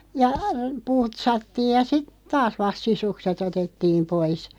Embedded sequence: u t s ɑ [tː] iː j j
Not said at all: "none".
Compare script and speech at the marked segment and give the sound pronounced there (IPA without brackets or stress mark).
tː